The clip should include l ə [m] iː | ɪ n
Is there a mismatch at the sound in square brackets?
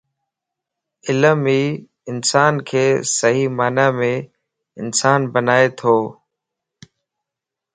no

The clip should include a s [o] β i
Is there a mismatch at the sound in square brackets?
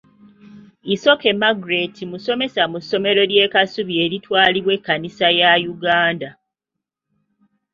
yes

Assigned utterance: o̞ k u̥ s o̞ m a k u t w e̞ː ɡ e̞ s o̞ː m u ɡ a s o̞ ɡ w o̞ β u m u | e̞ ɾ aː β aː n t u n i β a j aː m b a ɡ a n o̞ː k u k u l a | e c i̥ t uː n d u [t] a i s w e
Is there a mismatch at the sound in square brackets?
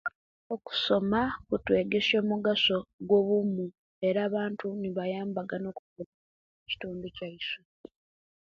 yes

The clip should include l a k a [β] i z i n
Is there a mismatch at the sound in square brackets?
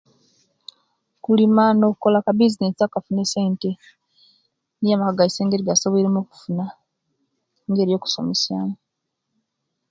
yes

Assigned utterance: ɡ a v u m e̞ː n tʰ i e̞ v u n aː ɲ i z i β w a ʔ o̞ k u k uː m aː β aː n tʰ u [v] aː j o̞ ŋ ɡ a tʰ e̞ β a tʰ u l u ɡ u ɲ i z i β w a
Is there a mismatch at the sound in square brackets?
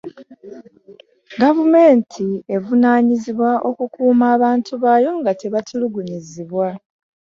yes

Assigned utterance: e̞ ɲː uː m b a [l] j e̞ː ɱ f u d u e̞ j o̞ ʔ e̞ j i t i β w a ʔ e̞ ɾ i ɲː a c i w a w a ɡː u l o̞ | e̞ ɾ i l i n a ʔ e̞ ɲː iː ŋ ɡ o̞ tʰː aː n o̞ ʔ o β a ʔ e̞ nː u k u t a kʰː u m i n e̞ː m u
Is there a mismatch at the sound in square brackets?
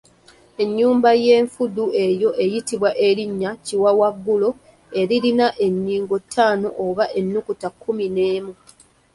yes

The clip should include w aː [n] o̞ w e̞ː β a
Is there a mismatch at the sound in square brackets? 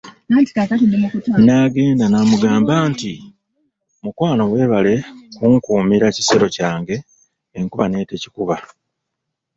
no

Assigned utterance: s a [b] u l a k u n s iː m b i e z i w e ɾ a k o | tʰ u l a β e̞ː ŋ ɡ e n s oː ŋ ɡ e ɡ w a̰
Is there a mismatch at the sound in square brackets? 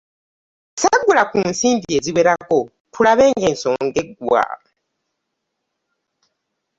yes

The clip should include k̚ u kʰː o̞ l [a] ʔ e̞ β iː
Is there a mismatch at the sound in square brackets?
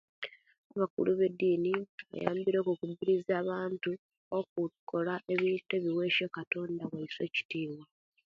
no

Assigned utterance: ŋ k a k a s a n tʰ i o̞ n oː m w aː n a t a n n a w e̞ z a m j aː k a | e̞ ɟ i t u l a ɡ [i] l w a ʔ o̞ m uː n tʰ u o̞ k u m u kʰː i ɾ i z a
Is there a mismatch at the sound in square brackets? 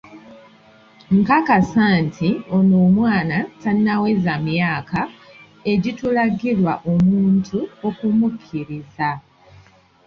no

